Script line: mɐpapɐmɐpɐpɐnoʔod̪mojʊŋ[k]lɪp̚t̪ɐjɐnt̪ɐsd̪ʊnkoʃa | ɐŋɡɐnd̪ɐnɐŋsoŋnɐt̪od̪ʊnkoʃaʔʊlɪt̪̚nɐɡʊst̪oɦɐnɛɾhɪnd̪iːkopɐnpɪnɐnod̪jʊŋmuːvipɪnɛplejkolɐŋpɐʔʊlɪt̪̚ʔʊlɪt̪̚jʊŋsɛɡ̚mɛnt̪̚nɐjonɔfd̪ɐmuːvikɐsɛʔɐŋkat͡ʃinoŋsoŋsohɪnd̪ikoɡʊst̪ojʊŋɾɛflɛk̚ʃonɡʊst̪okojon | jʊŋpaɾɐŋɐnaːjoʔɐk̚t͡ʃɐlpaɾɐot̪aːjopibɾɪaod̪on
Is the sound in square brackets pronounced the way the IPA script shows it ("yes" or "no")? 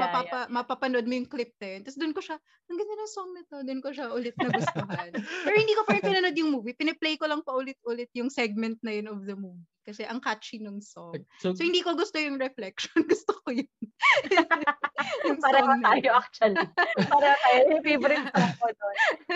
yes